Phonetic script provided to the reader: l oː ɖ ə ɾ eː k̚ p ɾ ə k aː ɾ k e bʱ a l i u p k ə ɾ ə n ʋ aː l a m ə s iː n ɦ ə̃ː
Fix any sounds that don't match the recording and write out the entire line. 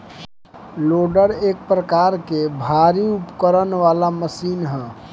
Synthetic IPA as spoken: l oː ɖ ə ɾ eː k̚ p ɾ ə k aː ɾ k e bʱ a ɾ i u p k ə ɾ ə n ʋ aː l a m ə s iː n ɦ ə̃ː